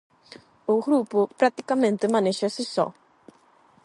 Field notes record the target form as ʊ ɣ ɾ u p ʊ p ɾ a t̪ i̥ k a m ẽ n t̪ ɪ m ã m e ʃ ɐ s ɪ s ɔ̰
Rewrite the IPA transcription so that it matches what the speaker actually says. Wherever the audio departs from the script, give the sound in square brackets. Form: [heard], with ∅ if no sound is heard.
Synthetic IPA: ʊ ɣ ɾ u p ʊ p ɾ a t̪ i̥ k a m ẽ n t̪ ɪ m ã [n] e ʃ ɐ s ɪ s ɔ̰